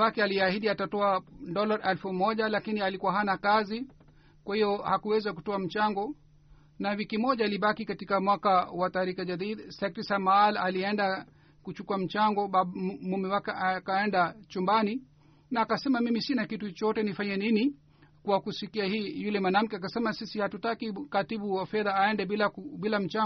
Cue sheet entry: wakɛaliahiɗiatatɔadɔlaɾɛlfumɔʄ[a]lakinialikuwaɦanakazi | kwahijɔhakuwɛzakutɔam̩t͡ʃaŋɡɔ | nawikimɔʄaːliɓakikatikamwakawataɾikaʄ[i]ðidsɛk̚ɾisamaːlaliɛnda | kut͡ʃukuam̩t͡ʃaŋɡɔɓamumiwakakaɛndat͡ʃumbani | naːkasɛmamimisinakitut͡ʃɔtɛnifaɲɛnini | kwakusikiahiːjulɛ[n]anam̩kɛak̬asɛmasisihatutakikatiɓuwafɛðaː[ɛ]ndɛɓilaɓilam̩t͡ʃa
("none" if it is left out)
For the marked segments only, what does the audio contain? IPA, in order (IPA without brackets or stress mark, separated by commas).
a, a, m, ɛ